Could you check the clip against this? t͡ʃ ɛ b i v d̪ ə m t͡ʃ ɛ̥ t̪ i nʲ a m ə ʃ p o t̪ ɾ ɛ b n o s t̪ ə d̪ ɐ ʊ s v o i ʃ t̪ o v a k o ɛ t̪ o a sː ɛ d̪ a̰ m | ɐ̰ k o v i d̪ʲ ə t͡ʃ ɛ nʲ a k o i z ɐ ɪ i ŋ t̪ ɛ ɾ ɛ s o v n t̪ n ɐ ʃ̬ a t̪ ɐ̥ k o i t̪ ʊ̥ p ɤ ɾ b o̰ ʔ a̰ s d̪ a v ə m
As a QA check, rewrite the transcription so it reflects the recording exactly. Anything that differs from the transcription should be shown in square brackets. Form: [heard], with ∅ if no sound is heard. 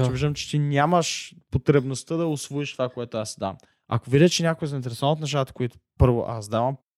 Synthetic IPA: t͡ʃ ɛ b i [ʒ] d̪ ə m t͡ʃ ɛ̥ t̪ i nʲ a m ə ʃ p o t̪ ɾ ɛ b n o s t̪ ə d̪ ɐ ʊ s v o i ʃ t̪ o v a k o ɛ t̪ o a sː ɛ d̪ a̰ m | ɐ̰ k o v i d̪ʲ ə t͡ʃ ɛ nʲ a k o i z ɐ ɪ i [n] t̪ ɛ ɾ ɛ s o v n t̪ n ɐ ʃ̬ a t̪ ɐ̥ k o i t̪ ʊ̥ p ɤ ɾ [v] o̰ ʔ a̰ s d̪ a v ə m